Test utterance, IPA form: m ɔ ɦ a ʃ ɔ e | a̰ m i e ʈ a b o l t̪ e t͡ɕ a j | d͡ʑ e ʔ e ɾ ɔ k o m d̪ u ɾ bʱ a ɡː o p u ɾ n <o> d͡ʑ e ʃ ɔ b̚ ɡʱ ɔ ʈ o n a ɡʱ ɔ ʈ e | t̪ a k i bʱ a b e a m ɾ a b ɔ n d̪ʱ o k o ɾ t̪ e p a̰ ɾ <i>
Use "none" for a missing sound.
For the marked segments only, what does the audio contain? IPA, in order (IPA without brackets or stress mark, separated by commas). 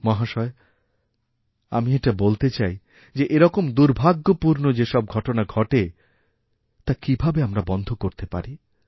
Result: o, i